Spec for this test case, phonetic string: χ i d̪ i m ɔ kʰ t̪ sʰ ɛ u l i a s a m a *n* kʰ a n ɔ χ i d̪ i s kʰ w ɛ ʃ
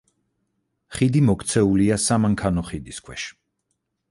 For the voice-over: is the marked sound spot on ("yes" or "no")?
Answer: no